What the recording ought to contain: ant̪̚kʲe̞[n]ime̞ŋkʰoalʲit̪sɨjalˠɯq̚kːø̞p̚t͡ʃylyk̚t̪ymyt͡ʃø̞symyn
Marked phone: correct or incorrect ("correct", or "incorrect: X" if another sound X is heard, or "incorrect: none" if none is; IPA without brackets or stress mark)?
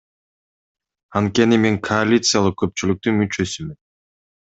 correct